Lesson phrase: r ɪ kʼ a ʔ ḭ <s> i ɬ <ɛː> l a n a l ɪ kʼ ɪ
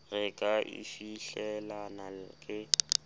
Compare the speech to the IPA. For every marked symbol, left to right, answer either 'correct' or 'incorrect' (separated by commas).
incorrect, incorrect